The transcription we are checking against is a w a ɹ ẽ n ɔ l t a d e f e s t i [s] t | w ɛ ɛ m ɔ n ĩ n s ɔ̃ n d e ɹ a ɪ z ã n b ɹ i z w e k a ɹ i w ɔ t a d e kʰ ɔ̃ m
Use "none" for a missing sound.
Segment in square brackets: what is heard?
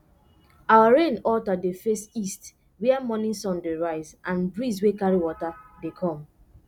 s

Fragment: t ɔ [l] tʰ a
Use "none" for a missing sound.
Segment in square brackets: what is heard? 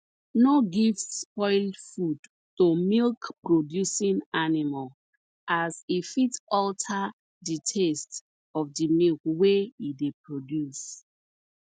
l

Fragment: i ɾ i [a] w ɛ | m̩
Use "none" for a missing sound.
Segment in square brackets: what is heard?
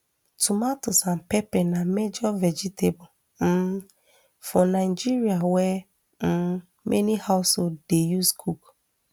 a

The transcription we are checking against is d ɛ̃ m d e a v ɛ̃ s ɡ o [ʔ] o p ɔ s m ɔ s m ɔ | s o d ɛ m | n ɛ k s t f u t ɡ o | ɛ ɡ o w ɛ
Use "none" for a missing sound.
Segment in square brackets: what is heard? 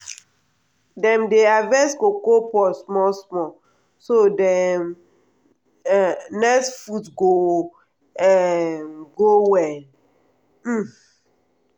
k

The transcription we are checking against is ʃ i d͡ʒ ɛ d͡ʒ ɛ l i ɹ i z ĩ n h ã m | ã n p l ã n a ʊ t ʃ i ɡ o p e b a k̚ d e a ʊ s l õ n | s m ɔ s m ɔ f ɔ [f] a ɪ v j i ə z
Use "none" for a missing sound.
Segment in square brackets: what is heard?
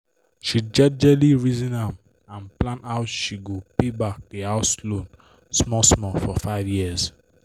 f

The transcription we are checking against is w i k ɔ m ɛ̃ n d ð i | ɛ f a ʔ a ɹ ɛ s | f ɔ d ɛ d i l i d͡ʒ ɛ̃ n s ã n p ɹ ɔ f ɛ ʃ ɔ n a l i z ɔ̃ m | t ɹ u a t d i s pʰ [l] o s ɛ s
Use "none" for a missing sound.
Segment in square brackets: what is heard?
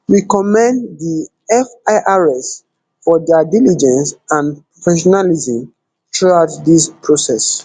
ɹ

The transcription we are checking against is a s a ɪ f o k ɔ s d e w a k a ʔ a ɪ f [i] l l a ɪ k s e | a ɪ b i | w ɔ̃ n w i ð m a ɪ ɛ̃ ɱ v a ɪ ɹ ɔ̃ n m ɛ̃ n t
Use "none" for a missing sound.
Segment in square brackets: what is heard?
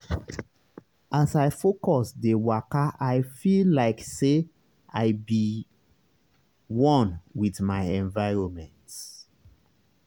i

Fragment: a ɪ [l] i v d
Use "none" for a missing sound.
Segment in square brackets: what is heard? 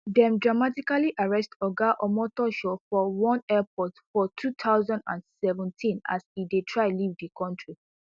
l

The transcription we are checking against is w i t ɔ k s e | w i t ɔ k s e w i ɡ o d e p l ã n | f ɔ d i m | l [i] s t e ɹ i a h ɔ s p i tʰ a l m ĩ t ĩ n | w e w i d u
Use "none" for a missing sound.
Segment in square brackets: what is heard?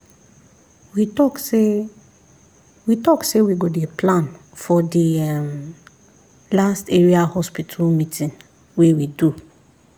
a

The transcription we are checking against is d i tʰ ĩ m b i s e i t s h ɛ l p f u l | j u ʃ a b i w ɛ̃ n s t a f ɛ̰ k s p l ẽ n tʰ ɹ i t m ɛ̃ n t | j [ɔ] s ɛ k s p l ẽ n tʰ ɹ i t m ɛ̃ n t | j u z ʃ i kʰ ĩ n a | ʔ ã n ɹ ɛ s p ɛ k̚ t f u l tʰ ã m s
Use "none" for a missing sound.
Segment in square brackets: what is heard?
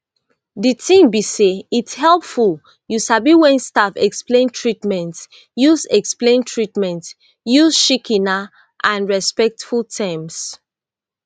u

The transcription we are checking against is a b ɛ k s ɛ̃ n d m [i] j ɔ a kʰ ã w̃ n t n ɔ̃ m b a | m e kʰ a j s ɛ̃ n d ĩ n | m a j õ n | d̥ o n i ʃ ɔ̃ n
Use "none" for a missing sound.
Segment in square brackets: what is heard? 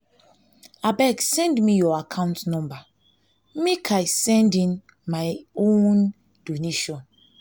i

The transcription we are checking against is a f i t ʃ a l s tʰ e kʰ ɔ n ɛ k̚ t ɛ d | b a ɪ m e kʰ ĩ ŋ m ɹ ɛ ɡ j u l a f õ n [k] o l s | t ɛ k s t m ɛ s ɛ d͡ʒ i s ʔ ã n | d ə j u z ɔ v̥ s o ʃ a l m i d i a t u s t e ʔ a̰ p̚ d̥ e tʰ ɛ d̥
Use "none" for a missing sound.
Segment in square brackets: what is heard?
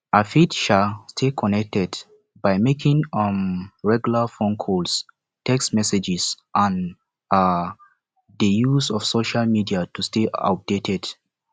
kʰ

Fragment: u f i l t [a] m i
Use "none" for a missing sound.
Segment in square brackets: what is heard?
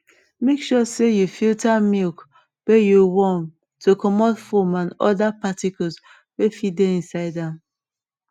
a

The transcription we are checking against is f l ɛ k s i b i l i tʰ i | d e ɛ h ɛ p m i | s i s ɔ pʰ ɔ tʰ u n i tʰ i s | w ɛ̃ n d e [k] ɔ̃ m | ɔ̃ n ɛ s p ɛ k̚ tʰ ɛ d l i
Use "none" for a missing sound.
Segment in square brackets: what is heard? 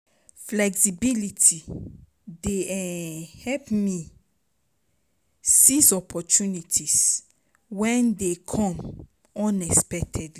kʰ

